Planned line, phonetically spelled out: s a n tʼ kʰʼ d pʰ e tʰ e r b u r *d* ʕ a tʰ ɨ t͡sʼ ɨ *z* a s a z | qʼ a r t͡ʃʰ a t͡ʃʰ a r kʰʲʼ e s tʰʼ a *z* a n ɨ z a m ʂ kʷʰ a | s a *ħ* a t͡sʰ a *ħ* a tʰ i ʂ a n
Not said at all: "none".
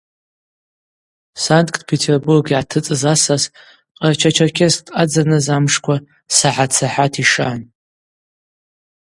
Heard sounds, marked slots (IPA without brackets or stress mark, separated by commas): ɡ, z, d͡z, ħ, ħ